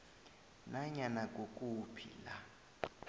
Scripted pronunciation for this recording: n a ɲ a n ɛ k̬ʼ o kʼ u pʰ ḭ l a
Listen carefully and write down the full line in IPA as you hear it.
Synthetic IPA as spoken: n a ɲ a n a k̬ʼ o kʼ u pʰ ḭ l a